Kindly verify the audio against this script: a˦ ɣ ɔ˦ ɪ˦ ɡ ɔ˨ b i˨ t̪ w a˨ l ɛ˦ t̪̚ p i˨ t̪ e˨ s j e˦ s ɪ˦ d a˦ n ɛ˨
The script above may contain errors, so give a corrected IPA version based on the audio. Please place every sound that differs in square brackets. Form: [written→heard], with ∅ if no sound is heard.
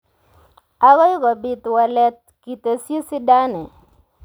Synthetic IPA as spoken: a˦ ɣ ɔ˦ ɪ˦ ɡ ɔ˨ b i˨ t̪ w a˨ l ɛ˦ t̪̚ [p→k] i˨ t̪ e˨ s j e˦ s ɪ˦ d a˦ n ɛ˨